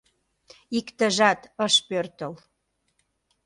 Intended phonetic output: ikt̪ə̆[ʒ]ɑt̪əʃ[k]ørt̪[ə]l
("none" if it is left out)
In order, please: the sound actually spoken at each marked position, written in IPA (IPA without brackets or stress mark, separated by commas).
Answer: ʒ, p, ə